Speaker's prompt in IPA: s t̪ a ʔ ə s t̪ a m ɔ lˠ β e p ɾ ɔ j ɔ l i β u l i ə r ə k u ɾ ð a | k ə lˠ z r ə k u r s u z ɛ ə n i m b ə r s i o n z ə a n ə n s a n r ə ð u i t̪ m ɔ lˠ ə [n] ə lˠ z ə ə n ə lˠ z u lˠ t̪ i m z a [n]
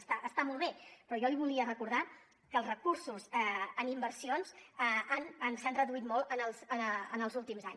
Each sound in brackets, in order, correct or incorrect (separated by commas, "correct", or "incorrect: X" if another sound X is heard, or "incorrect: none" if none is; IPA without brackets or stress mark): correct, incorrect: ɲ